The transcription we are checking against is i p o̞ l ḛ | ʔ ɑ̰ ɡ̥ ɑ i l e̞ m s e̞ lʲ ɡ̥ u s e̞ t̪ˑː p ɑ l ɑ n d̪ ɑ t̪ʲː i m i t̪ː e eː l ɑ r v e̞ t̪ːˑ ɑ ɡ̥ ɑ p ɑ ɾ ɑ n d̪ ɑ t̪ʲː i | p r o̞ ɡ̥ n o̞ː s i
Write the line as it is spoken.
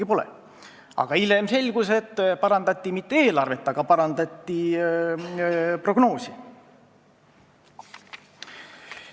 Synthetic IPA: i p o̞ l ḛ | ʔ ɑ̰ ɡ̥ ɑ i l e̞ m s e̞ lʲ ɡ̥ u s e̞ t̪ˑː p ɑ ɾ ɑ n d̪ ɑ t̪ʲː i m i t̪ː e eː l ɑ r v e̞ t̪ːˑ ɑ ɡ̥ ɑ p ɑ ɾ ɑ n d̪ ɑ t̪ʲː i | p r o̞ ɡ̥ n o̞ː s i